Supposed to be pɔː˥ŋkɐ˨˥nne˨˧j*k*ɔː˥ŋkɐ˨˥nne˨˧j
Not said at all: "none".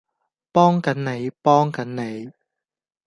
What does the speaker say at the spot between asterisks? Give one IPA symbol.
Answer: p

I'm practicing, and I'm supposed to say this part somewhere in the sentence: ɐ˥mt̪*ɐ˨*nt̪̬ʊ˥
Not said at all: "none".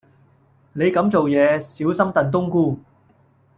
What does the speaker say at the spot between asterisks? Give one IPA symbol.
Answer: ɐ˨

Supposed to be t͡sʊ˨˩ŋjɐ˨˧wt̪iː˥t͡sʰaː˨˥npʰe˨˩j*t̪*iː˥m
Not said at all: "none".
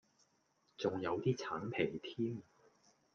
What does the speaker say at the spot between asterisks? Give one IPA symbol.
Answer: t̪ʰ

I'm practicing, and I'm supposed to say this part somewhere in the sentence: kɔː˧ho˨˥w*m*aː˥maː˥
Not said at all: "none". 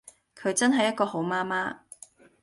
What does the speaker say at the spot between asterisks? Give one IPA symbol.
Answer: m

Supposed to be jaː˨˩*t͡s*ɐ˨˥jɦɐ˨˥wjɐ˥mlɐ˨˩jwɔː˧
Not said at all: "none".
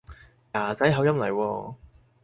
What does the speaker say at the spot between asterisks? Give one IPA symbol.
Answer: t͡s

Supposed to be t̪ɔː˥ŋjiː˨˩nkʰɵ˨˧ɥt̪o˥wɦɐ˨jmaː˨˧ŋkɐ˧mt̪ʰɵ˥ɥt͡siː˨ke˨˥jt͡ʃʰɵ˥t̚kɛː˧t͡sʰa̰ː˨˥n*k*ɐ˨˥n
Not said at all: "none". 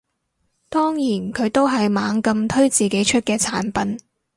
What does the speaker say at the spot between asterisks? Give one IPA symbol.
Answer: p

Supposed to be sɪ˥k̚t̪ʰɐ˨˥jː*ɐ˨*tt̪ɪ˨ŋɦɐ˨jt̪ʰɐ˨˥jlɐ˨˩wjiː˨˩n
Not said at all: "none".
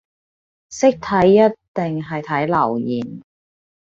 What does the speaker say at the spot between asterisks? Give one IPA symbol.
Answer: ɐ˥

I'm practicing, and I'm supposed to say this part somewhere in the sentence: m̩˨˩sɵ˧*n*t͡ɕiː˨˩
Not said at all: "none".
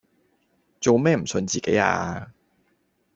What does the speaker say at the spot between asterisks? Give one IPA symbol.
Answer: n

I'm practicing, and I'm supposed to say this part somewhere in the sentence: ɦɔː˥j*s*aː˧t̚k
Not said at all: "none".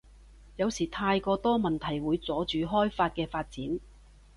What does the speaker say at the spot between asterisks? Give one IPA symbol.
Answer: f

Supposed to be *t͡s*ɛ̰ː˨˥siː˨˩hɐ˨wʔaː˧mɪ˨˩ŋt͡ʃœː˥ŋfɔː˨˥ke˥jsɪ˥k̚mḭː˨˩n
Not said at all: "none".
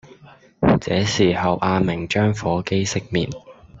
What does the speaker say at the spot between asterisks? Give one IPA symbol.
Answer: t͡s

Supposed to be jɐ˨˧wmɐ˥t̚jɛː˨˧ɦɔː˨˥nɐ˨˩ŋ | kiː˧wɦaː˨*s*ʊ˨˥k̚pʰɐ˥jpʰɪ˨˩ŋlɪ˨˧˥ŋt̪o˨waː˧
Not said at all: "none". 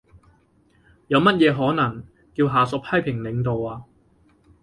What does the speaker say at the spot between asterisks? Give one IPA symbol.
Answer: s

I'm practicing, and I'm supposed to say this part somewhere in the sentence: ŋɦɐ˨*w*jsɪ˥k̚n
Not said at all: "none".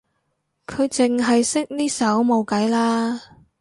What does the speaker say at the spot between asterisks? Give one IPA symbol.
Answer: none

